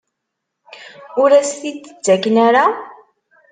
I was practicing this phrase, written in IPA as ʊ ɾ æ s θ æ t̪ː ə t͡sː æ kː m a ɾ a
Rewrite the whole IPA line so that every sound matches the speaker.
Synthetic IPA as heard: ʊ ɾ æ s θ i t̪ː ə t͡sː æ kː n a ɾ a